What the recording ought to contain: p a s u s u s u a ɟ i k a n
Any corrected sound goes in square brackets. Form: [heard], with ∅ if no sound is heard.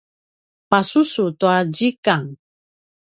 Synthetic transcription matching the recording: p a s u s u [t] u a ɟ i k a [ŋ]